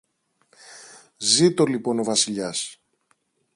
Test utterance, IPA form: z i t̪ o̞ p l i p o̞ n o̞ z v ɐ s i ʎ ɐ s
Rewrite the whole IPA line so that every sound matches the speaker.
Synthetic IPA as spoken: z i t̪ o̞ l i p o̞ n o̞ v ɐ s i ʎ ɐ s